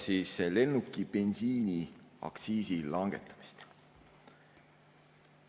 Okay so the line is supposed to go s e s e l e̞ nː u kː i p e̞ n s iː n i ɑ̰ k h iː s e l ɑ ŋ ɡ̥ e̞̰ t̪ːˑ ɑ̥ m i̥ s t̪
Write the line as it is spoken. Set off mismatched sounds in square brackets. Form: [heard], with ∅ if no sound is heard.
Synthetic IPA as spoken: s [i] s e l e̞ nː u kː i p e̞ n s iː n i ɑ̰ k [s] iː s [i] l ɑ ŋ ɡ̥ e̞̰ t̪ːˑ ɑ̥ m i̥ s t̪